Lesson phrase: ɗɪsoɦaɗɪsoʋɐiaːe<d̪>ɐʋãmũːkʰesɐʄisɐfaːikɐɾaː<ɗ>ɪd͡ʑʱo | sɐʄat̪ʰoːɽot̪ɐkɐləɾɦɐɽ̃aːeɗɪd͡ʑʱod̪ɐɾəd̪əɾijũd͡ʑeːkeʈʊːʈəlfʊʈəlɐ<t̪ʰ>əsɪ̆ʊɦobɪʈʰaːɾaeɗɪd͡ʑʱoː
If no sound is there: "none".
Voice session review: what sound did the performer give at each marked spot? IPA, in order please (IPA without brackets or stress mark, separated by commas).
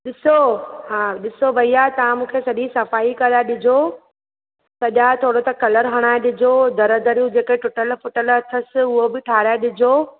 t̪, ɗ, t̪ʰ